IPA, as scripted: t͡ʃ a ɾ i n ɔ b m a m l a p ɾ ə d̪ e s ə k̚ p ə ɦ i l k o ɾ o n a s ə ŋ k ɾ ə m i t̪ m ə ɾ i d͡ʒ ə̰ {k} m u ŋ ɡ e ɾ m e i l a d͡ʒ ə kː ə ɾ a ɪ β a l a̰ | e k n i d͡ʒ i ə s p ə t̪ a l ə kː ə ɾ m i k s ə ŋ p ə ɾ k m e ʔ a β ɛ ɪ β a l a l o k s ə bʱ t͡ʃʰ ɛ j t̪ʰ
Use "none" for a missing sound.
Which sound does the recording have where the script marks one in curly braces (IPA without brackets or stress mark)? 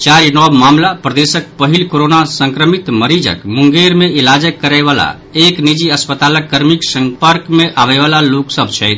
k